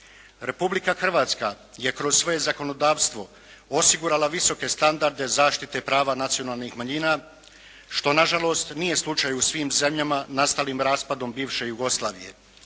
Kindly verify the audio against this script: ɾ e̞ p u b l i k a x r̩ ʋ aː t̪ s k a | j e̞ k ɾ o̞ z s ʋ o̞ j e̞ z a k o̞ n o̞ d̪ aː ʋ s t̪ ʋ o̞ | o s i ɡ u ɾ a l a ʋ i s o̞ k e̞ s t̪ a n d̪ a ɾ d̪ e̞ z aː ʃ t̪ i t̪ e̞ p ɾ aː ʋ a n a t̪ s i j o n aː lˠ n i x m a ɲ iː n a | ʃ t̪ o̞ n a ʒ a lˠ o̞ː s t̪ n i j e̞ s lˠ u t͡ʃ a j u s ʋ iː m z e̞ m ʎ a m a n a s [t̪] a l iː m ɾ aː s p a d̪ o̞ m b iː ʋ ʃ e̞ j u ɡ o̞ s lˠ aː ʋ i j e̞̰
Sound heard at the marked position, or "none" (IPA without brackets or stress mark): t̪